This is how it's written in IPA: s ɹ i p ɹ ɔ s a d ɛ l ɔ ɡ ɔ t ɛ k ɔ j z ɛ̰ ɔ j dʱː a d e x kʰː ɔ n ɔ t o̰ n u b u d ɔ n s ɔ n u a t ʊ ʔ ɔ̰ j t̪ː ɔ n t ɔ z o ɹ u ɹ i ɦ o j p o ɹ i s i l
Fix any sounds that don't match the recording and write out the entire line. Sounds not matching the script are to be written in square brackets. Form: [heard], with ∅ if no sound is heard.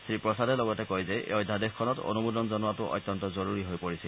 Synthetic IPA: s ɹ i p ɹ ɔ s a d ɛ l ɔ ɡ ɔ t ɛ k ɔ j z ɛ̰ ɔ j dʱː a d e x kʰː ɔ n ɔ t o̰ n u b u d ɔ n [z] ɔ n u a t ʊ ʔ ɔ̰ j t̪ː ɔ n t ɔ z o ɹ u ɹ i ɦ o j p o ɹ i s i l